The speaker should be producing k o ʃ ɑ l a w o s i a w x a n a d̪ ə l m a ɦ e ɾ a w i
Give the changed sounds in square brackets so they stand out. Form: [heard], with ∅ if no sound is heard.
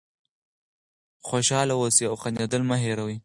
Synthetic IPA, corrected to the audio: [x] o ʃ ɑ l a w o s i a w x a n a d̪ ə l m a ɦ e ɾ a w i